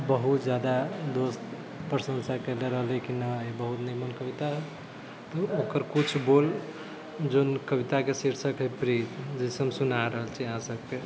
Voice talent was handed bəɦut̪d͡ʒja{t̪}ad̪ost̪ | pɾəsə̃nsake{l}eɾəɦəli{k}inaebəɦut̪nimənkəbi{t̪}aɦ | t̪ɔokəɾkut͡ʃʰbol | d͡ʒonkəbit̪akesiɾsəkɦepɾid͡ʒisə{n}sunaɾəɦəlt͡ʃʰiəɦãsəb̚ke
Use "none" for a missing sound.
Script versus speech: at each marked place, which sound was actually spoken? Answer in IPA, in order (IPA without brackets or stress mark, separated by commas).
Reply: d̪, l, k, t̪, m